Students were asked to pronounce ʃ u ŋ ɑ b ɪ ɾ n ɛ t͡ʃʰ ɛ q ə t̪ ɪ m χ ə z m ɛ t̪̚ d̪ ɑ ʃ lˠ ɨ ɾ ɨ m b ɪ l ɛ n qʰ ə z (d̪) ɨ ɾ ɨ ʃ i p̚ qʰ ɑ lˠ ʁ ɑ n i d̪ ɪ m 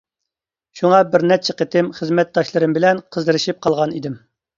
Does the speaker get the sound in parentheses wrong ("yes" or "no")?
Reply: no